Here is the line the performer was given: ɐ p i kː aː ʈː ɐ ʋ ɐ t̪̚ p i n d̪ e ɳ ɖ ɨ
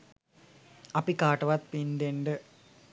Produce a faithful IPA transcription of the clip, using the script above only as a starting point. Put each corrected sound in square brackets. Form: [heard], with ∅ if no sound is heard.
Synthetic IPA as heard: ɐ p i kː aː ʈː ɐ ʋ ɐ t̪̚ p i n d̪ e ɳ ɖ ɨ